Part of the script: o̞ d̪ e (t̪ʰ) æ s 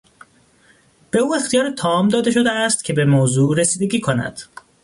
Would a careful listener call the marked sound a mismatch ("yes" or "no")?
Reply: yes